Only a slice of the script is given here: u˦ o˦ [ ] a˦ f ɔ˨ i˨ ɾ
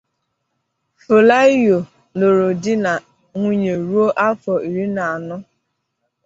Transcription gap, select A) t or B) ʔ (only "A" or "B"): B